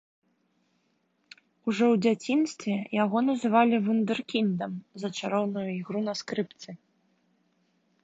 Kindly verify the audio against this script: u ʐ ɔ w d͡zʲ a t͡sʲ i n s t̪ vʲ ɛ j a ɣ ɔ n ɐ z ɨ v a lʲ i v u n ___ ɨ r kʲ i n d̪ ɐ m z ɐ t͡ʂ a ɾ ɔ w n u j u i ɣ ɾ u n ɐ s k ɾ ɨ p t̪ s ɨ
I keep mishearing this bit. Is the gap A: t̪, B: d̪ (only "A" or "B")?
B